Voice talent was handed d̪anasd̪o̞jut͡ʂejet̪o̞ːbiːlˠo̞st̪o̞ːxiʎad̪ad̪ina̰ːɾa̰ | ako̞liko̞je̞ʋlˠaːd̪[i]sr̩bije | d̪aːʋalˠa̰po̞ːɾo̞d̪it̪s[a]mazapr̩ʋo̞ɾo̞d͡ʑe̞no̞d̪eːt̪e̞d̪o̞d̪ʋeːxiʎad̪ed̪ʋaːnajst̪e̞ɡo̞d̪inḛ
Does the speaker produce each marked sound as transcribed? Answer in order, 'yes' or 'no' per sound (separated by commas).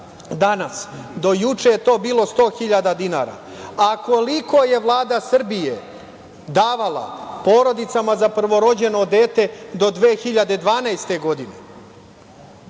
no, yes